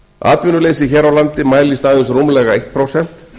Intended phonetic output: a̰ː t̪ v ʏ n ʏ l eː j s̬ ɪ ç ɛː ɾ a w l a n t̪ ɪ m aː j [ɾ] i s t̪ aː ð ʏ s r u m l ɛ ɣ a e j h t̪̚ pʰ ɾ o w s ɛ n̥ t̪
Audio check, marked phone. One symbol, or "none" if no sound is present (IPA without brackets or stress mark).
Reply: l